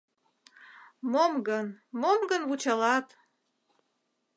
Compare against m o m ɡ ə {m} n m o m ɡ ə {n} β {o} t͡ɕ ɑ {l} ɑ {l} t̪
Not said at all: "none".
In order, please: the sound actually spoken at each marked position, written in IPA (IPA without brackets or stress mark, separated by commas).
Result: none, n, u, l, none